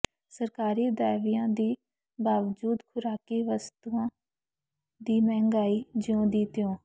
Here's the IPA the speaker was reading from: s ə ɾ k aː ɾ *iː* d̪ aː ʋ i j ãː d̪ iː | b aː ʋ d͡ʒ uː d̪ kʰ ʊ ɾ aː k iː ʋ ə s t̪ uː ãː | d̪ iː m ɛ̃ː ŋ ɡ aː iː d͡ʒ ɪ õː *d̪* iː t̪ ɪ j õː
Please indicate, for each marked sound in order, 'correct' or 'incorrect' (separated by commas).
correct, correct